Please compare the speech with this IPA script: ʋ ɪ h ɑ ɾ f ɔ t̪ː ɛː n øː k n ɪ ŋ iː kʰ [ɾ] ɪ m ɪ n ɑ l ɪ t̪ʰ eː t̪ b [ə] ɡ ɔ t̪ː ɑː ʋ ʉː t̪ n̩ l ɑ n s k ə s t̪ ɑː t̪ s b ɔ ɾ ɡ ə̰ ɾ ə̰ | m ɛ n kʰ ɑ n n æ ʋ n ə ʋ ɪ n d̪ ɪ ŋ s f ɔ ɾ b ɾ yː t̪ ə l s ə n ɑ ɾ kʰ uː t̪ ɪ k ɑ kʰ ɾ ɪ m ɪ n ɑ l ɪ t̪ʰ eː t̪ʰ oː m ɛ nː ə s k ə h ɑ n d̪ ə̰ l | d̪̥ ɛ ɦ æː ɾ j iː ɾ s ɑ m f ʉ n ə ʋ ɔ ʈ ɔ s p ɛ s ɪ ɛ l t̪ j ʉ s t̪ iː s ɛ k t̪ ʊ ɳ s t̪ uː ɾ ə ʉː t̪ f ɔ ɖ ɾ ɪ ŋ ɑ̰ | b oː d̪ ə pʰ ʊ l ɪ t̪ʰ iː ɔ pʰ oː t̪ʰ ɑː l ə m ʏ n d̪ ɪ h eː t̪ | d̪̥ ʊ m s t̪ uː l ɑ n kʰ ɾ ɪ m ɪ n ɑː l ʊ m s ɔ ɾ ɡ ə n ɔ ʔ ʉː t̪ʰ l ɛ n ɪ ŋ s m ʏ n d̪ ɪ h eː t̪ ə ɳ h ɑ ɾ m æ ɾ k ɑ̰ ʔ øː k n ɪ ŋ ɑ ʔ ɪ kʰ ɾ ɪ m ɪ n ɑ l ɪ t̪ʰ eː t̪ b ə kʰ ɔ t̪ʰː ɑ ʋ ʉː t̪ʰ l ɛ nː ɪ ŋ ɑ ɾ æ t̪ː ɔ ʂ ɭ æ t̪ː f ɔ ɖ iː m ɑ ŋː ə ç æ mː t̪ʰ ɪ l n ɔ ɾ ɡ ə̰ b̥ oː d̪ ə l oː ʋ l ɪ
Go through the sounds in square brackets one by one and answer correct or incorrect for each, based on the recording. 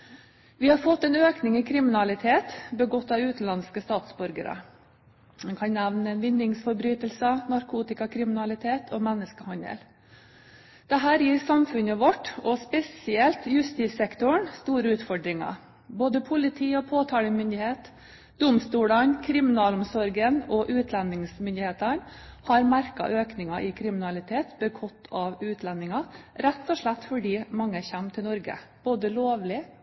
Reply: correct, correct

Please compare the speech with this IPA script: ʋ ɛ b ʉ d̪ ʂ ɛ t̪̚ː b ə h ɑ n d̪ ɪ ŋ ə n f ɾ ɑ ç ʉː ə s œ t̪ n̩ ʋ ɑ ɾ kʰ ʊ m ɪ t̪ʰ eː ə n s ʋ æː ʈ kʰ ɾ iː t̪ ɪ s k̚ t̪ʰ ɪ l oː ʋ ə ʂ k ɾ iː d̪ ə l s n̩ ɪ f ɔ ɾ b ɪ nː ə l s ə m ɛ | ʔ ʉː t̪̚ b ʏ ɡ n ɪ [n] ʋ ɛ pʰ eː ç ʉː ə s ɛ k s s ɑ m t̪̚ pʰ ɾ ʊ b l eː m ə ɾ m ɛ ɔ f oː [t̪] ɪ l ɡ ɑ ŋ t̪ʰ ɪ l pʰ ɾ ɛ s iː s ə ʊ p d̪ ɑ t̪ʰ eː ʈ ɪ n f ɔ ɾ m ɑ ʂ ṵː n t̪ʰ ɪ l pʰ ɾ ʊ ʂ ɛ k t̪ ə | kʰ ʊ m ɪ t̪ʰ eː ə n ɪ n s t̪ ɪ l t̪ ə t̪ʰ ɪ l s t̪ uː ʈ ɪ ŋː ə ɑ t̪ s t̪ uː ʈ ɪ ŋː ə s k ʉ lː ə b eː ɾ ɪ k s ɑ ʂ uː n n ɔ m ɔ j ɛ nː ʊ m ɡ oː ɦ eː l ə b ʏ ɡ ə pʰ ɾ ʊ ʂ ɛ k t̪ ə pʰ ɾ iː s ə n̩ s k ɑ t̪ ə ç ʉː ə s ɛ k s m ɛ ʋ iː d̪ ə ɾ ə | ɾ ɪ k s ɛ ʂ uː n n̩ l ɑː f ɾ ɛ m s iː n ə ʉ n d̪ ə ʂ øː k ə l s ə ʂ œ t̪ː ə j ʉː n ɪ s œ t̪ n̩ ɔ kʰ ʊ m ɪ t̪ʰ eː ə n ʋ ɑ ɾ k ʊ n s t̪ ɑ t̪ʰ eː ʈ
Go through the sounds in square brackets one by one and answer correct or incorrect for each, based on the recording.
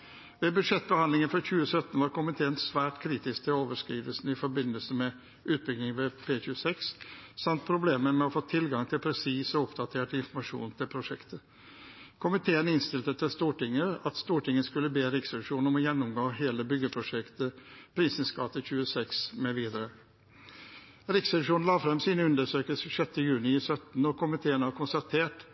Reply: incorrect: ŋ, incorrect: t̪ʰ

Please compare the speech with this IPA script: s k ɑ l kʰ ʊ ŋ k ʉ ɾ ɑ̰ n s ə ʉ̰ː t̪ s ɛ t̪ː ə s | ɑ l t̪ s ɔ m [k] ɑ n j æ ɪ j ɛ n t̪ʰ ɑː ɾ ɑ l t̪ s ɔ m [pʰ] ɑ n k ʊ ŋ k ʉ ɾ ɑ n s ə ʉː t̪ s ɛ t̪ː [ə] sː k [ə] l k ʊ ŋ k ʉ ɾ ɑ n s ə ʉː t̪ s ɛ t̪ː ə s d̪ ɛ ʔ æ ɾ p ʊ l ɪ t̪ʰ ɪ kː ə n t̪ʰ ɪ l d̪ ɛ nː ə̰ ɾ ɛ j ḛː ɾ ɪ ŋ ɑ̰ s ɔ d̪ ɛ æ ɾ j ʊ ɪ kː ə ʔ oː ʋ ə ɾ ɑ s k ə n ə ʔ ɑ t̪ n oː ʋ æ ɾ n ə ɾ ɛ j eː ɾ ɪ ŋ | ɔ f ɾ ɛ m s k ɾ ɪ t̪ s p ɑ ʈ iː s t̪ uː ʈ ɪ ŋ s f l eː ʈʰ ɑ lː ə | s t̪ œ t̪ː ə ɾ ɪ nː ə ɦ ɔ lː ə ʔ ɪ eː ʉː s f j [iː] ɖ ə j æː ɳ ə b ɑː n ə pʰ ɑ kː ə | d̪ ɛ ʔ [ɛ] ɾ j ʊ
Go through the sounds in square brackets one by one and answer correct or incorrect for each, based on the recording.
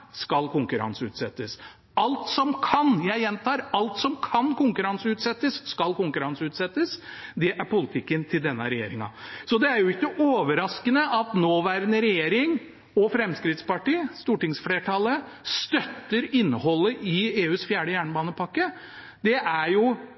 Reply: incorrect: kʰ, incorrect: kʰ, correct, incorrect: ɑ, incorrect: æː, incorrect: æ

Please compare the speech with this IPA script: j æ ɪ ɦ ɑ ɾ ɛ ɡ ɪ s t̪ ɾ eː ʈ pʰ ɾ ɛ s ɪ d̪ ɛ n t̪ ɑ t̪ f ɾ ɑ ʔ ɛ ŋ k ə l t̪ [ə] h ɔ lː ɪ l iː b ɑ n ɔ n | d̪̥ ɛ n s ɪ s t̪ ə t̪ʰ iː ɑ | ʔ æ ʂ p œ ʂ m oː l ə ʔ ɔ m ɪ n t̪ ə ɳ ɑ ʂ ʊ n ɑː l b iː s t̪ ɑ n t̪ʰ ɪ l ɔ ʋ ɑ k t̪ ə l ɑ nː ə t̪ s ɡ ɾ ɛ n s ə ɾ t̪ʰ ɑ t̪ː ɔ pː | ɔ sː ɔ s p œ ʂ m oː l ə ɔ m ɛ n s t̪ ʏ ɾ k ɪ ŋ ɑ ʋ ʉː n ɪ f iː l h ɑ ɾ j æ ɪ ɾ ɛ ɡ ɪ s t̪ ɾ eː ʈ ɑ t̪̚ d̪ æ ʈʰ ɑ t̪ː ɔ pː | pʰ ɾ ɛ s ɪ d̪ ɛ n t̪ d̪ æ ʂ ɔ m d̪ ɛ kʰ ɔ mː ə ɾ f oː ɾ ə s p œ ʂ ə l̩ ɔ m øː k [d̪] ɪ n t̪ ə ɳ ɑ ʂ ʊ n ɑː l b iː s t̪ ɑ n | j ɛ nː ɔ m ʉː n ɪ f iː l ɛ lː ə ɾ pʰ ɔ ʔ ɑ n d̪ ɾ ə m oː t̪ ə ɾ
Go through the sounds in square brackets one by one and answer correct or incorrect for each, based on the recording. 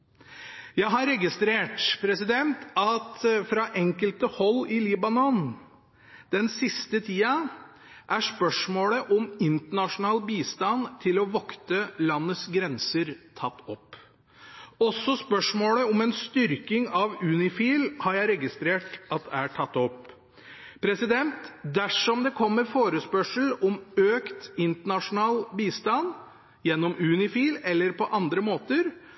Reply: correct, incorrect: t̪

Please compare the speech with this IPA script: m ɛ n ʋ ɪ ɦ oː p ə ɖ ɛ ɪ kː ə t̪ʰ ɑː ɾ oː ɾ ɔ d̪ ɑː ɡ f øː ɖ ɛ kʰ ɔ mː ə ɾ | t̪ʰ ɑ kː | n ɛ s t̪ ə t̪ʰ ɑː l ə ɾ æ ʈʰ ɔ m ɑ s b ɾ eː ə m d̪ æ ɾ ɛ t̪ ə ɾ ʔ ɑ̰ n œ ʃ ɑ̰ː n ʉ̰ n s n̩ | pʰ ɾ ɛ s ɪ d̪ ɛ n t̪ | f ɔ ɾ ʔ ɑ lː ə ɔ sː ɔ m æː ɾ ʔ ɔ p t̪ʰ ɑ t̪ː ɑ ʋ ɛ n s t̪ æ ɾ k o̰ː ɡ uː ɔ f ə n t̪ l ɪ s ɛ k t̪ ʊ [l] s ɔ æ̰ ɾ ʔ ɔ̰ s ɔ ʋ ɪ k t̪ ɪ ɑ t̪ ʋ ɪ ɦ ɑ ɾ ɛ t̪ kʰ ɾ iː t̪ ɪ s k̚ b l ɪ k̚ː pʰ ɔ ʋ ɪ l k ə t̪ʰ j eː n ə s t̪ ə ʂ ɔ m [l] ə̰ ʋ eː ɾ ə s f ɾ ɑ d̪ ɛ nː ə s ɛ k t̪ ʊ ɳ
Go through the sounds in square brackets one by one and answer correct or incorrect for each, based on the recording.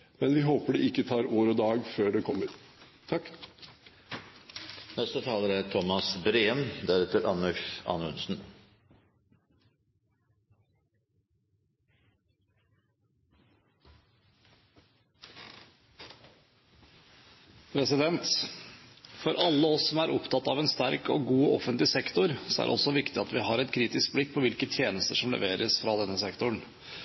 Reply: incorrect: ɾ, correct

